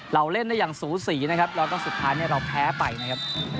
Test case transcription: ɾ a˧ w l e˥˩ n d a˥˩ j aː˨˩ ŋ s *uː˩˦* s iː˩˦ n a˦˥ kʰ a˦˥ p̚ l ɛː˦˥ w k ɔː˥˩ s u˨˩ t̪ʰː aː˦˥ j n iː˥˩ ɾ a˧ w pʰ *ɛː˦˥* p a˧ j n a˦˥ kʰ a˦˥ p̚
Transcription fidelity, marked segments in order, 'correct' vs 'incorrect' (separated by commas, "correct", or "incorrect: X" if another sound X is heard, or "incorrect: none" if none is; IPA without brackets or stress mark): correct, correct